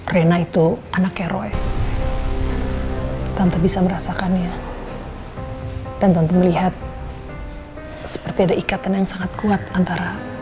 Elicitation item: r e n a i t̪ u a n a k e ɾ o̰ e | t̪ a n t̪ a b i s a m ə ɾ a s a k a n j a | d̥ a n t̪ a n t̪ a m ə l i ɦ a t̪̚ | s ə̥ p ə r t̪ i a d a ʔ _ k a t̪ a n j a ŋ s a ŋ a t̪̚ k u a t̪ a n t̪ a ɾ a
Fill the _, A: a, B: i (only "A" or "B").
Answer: B